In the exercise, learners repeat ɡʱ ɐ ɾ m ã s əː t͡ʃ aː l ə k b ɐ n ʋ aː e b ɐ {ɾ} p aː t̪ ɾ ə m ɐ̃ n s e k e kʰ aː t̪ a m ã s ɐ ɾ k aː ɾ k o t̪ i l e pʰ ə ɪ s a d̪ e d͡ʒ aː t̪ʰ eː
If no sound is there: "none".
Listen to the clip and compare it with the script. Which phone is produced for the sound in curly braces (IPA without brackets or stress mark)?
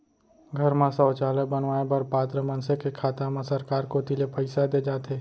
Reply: ɾ